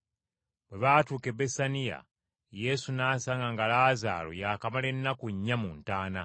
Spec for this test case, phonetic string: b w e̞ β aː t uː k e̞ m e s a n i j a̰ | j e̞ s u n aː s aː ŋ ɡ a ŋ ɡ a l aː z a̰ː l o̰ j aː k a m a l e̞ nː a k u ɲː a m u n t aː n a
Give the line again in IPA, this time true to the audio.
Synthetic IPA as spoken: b w e̞ β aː t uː k e̞ b e s a n i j a̰ | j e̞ s u n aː s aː ŋ ɡ a ŋ ɡ a l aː z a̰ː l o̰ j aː k a m a l e̞ nː a k u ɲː a m u n t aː n a